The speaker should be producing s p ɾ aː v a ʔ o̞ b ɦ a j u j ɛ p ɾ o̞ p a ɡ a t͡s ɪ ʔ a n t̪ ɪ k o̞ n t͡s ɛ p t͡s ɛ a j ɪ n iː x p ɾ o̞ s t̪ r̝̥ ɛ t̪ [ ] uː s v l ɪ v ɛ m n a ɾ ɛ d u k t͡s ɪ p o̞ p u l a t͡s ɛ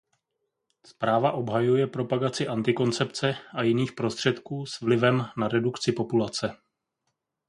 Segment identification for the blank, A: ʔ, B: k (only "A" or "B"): B